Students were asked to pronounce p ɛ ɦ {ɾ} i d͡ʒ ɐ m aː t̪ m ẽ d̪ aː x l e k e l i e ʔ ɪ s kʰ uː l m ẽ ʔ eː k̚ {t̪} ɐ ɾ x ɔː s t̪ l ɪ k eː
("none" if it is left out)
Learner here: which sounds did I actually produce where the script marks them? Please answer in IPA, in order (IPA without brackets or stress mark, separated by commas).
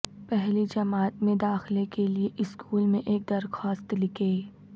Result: l, d̪